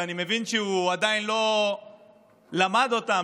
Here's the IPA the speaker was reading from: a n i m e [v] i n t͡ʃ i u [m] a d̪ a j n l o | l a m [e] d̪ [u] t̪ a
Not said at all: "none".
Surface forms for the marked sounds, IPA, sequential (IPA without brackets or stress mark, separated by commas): v, none, a, o